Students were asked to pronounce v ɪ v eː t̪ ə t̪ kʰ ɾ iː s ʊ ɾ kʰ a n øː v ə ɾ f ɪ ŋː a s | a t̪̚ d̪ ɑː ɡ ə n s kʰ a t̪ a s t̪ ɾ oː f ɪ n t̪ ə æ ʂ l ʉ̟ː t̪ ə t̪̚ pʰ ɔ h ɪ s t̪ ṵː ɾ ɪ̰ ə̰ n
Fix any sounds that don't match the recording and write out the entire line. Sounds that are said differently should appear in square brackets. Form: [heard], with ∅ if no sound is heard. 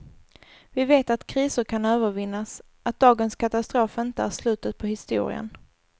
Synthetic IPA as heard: v ɪ v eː t̪ [a] t̪ kʰ ɾ iː s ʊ ɾ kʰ a n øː v ə ɾ [v] ɪ [nː] a s | a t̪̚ d̪ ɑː ɡ ə n s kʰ a t̪ a s t̪ ɾ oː f ɪ n t̪ ə æ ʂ l ʉ̟ː t̪ ə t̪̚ pʰ ɔ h ɪ s t̪ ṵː ɾ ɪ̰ ə̰ n